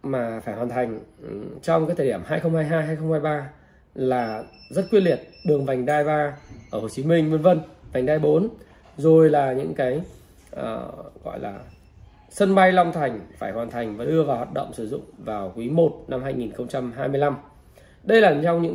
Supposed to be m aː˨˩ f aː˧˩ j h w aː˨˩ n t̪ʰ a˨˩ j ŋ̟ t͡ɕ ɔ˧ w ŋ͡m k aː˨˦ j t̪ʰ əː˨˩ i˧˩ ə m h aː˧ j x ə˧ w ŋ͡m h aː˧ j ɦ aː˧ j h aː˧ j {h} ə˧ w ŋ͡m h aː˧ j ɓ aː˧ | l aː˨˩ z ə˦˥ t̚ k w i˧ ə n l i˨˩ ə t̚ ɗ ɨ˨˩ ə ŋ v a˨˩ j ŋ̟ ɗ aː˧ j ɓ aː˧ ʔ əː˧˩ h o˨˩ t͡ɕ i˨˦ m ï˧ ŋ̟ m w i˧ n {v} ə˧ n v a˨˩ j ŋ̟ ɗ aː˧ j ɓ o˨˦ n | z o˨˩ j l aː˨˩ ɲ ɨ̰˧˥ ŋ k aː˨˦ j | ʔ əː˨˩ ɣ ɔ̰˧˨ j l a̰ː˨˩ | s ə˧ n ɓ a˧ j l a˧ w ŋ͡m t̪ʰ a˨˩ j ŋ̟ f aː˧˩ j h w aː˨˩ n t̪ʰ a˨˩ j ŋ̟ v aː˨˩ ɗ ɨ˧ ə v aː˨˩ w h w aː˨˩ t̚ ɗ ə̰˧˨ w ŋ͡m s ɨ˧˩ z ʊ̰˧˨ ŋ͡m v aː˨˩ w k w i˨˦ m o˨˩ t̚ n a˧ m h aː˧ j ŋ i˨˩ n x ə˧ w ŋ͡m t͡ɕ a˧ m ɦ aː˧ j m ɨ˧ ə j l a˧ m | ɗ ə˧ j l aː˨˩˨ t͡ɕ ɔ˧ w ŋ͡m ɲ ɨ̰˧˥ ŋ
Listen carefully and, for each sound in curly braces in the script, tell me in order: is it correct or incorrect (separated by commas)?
incorrect, correct